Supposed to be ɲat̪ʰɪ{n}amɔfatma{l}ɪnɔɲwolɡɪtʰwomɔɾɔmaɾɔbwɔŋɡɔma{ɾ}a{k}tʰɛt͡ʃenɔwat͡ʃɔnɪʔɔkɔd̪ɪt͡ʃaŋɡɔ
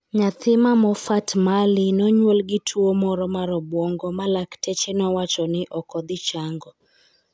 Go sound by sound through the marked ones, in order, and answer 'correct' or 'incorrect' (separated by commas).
incorrect, correct, incorrect, correct